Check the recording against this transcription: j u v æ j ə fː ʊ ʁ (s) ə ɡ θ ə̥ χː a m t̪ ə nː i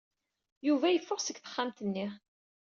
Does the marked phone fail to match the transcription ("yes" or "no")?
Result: no